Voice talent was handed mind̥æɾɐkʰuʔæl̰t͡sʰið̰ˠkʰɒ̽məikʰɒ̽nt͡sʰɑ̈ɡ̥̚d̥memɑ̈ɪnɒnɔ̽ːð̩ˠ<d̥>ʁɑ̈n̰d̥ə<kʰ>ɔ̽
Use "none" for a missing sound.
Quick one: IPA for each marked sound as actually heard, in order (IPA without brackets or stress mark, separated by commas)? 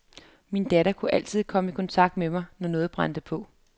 b̥, pʰ